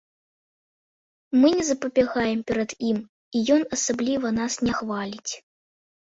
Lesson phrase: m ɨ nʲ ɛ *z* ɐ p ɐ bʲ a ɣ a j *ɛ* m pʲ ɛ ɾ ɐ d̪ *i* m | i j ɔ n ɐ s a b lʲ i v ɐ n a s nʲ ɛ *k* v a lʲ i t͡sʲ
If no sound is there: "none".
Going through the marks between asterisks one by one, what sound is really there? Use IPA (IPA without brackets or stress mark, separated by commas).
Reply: z, ɛ, i, x